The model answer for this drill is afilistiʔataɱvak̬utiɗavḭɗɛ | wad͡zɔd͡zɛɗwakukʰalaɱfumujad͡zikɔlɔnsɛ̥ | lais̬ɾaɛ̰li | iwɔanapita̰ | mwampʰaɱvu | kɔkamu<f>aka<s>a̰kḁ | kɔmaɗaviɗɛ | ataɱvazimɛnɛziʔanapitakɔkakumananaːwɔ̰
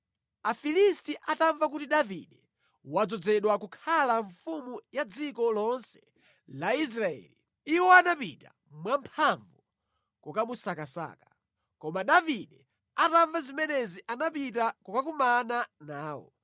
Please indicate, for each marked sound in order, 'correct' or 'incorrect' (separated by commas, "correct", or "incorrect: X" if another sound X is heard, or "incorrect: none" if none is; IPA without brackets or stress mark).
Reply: incorrect: s, correct